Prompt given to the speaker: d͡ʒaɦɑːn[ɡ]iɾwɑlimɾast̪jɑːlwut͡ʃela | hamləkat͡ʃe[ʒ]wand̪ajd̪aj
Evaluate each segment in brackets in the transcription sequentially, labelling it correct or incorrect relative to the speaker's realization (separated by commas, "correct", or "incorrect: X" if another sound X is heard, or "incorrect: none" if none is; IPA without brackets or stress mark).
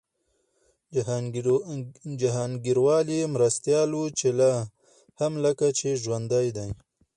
correct, correct